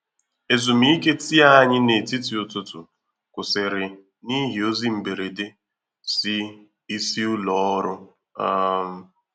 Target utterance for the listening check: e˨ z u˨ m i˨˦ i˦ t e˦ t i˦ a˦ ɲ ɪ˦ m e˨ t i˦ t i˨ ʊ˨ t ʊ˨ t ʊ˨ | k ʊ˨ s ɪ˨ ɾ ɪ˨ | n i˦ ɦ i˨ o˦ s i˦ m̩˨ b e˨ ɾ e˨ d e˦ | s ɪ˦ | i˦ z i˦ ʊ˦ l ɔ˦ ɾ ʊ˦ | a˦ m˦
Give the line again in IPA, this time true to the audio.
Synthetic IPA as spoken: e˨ z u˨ m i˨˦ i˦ k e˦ t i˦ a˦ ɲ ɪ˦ n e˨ t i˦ t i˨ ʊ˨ t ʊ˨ t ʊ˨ | k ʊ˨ s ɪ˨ ɾ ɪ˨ | n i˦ ɦ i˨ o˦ z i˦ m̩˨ b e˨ ɾ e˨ d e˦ | s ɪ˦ | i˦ s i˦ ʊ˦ l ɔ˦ ɾ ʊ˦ | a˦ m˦